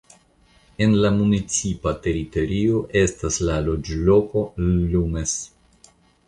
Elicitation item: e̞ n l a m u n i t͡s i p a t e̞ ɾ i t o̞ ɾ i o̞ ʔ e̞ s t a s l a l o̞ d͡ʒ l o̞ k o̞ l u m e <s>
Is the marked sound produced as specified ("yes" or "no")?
yes